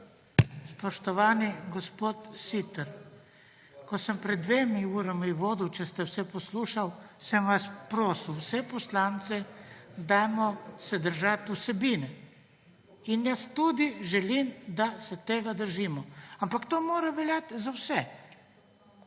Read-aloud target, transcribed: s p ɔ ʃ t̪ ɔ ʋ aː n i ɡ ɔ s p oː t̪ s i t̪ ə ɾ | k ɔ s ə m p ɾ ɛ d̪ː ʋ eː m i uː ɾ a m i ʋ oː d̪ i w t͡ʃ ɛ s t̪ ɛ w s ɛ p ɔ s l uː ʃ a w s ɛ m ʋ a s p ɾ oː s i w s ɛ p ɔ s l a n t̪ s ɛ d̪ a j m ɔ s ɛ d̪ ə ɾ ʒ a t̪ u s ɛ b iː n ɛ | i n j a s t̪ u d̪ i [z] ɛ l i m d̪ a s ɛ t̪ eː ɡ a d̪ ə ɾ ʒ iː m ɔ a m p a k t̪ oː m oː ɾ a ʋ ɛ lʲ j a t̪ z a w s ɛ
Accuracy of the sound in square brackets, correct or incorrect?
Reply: incorrect